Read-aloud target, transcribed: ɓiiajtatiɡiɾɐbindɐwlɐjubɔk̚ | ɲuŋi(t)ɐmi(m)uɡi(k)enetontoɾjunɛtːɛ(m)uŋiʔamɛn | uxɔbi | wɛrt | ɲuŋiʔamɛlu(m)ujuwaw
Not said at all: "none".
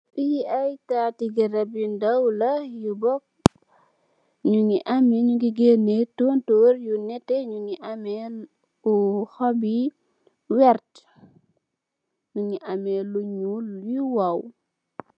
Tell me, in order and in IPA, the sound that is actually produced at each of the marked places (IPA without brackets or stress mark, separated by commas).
ʔ, ɲ, ɡ, ɲ, ɲ